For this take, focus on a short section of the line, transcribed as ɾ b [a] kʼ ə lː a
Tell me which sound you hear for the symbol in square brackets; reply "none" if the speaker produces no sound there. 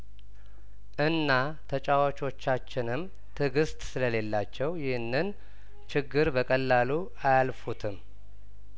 ə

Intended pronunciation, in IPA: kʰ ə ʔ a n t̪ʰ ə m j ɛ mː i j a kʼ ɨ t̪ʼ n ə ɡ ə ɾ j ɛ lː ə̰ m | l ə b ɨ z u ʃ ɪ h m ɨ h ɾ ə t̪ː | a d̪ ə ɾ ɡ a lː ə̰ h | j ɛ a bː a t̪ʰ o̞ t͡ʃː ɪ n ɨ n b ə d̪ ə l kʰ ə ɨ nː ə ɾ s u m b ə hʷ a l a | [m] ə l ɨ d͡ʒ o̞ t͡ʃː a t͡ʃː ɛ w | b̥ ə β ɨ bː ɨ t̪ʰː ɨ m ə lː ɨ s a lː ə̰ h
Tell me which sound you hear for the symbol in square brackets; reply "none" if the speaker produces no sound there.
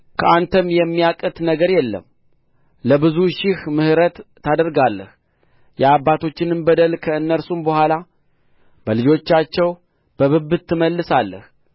b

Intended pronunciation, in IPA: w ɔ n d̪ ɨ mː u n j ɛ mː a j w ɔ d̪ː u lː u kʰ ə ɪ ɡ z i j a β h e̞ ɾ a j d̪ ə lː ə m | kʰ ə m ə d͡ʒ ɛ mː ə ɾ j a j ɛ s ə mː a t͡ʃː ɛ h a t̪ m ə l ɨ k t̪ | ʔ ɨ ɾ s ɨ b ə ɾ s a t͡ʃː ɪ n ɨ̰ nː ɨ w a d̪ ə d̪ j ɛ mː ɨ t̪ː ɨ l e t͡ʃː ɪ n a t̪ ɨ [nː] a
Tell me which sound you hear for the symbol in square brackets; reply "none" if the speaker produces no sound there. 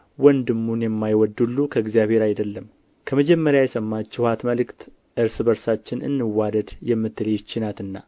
nː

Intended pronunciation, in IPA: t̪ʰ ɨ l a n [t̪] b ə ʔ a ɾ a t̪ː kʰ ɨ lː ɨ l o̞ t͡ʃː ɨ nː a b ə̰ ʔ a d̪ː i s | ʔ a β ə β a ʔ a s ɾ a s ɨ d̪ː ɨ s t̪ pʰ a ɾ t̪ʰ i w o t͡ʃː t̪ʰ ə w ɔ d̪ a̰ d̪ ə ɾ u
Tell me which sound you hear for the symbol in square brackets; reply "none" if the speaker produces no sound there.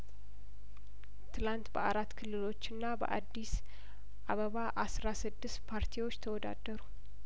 t̪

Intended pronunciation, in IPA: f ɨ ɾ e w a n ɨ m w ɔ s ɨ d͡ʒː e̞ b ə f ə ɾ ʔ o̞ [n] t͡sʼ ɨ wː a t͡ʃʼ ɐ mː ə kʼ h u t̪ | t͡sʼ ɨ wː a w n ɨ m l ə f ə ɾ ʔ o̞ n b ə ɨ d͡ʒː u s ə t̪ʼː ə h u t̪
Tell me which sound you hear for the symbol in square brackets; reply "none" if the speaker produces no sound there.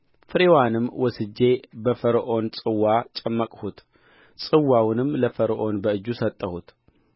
n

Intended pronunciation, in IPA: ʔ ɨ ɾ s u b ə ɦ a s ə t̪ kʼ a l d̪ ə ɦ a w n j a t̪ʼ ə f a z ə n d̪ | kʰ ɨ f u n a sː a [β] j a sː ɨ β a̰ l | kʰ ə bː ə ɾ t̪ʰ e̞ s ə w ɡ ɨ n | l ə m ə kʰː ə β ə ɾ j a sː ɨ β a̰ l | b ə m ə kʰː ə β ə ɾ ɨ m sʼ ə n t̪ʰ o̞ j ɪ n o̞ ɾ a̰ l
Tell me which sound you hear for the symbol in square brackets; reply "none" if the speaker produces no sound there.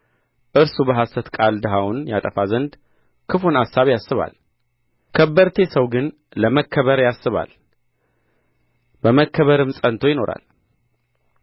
β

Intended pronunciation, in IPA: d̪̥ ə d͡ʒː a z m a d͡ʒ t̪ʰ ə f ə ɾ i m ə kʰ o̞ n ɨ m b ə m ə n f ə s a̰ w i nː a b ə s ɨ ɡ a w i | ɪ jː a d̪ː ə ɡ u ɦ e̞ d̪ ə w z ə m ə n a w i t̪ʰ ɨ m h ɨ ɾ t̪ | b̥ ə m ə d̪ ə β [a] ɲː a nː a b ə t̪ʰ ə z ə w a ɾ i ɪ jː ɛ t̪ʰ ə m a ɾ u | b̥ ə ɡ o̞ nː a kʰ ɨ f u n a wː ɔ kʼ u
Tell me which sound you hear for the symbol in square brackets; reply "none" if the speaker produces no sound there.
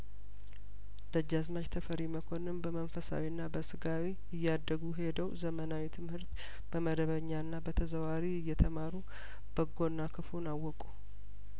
ə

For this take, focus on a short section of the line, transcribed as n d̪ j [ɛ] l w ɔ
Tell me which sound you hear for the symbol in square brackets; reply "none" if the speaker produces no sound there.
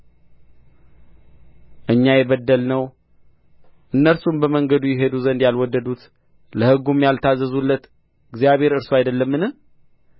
a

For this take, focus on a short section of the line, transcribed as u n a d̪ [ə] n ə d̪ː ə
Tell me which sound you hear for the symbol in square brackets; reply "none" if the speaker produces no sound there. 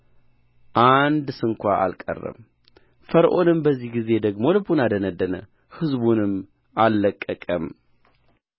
ə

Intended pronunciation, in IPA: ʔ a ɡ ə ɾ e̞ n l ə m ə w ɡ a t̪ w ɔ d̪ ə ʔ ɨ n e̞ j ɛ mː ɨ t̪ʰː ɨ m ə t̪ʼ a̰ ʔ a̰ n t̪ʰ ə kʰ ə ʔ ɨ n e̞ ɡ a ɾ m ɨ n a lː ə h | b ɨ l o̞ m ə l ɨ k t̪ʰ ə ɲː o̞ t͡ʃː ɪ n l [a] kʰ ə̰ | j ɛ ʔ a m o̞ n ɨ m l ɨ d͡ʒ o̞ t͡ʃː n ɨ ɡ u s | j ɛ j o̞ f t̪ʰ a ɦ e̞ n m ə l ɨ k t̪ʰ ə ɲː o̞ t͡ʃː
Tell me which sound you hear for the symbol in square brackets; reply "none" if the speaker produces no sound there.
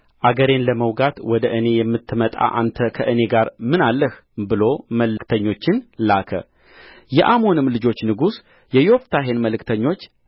a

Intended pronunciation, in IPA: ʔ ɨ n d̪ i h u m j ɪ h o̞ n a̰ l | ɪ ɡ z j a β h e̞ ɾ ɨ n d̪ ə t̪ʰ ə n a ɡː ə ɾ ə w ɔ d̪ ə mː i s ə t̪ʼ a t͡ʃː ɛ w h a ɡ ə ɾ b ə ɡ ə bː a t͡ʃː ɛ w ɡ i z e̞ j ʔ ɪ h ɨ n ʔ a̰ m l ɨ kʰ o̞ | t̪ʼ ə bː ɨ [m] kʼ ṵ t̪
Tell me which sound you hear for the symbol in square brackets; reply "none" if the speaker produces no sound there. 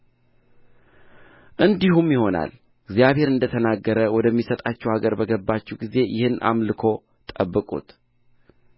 none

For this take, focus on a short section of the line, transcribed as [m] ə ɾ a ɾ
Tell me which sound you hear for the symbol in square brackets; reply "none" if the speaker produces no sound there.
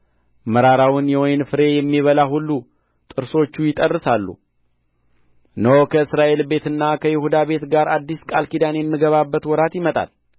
m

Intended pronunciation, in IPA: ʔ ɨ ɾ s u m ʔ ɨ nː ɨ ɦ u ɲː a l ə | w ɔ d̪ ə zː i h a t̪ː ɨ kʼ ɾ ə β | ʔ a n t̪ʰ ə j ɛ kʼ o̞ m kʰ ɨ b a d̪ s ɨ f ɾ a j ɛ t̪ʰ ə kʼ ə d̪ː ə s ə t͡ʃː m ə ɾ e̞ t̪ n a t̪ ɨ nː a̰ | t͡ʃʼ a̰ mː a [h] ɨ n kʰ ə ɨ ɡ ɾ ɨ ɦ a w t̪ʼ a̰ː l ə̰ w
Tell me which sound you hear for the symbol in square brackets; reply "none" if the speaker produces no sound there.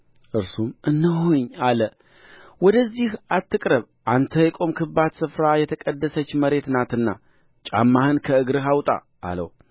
h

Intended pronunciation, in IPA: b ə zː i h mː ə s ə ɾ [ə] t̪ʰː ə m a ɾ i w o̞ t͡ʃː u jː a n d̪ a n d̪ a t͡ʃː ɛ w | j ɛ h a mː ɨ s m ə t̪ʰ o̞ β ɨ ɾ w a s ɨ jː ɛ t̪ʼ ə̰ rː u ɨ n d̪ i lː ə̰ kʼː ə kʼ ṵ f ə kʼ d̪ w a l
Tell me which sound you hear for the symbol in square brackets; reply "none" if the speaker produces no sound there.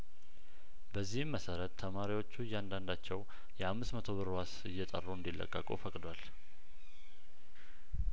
ə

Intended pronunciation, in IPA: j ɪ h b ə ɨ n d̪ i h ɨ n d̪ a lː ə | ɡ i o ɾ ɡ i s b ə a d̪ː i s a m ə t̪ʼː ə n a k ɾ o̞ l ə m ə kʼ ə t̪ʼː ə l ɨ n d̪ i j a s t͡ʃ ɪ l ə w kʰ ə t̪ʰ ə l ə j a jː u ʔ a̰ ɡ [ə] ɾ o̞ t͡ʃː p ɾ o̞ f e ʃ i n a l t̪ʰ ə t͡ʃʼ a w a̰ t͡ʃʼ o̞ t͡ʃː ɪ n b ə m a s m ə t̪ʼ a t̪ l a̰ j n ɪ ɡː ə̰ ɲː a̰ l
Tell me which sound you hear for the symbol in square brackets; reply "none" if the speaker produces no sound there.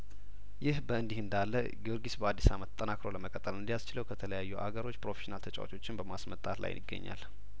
ə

